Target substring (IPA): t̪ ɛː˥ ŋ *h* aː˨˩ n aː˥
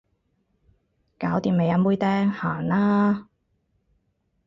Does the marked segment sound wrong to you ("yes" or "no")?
no